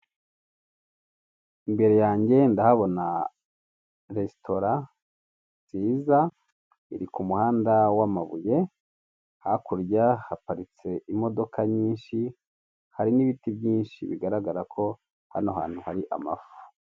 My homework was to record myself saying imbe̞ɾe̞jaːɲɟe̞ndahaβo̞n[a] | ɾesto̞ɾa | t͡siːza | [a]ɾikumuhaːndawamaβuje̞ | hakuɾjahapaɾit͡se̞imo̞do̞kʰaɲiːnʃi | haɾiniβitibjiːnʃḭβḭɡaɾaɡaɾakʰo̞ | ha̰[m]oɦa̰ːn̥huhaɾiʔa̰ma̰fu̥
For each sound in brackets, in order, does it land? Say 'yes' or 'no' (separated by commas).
yes, no, no